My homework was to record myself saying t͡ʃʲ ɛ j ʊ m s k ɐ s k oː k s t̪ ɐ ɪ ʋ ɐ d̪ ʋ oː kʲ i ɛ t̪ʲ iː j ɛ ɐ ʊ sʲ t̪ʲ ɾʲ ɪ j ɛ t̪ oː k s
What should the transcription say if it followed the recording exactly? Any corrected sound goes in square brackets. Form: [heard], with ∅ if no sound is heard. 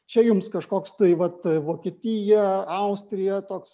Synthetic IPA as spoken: t͡ʃʲ ɛ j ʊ m s k ɐ [ʃ] k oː k s t̪ ɐ ɪ ʋ ɐ [t̪] ʋ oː kʲ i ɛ t̪ʲ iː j ɛ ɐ ʊ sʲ t̪ʲ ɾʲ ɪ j ɛ t̪ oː k s